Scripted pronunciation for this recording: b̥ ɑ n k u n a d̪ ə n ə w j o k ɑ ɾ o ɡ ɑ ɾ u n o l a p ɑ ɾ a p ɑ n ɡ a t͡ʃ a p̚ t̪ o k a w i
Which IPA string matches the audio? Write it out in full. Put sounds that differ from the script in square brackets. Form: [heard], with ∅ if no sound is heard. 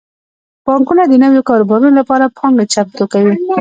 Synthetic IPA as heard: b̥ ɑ [ŋ] k u n a d̪ ə n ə w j o k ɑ ɾ o [b] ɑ ɾ u n o l a p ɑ ɾ a p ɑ [ŋ] ɡ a t͡ʃ a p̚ t̪ o k a w i